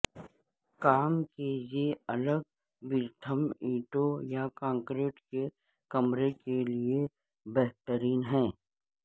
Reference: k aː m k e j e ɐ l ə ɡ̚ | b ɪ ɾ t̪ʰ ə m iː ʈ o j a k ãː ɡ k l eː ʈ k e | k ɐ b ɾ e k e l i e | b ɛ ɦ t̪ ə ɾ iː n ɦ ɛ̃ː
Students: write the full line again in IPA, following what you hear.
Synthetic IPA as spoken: k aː m k e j e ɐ l ə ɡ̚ | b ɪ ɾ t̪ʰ ə m iː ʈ o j a k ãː ŋ k ɾ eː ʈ k e | k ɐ m ɾ e k e l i e | b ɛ ɦ t̪ ə ɾ iː n ɦ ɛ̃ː